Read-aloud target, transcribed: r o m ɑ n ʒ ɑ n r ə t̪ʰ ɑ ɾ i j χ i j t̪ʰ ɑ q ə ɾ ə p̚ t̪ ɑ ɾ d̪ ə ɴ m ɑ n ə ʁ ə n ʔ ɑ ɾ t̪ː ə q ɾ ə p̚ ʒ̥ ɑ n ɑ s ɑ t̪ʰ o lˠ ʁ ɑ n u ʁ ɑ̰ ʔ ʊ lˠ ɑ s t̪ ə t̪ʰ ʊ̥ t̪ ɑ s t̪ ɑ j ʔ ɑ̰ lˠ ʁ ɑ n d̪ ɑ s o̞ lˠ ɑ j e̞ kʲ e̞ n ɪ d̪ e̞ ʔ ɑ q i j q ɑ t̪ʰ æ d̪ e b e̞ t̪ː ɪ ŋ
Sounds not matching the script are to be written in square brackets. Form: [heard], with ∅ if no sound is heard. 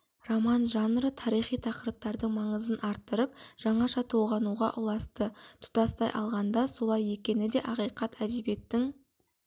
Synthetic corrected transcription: r o m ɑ n ʒ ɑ n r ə t̪ʰ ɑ ɾ i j χ i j t̪ʰ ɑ q ə ɾ ə p̚ t̪ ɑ ɾ d̪ ə ɴ m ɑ [ɴ] ə [z] ə n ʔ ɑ ɾ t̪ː ə [∅] ɾ ə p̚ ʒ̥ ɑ [ɴ] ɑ [ʃ] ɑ t̪ʰ o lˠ ʁ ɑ n u ʁ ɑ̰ ʔ ʊ lˠ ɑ s t̪ ə t̪ʰ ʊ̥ t̪ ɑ s t̪ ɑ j ʔ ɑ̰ lˠ ʁ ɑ n d̪ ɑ s o̞ lˠ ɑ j e̞ kʲ e̞ n ɪ d̪ e̞ ʔ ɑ q i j q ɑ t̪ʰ æ d̪ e b e̞ t̪ː ɪ ŋ